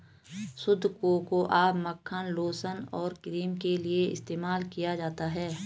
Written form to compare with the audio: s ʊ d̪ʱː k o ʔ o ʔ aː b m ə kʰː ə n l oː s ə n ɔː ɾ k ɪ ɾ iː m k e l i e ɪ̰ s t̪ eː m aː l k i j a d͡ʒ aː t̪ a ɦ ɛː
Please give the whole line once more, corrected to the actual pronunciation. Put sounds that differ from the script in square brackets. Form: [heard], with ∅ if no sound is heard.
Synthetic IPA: s ʊ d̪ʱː k o [k] o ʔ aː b m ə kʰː ə n l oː s ə n ɔː ɾ k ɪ ɾ iː m k e l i e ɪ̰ s t̪ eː m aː l k i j a d͡ʒ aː t̪ a ɦ ɛː